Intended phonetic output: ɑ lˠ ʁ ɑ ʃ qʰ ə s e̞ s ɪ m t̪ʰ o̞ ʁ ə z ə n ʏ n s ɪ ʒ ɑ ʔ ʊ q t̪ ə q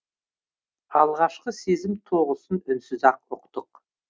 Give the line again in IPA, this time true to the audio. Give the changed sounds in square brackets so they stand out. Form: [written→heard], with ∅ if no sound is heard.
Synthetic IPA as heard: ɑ lˠ ʁ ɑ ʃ [qʰ→q] ə s e̞ [s→z] ɪ m t̪ʰ o̞ ʁ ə [z→s] ə n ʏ n s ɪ [ʒ→z] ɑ [ʔ→q] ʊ q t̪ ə q